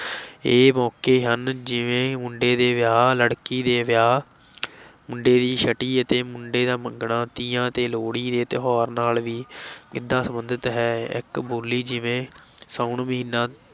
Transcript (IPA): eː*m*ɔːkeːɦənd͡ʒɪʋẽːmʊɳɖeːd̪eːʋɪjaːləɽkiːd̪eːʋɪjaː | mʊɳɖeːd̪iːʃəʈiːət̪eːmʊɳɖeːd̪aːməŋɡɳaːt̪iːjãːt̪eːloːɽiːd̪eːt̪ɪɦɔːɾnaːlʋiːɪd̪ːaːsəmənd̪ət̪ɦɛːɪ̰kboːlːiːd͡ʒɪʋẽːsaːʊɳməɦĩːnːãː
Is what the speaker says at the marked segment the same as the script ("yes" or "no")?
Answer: yes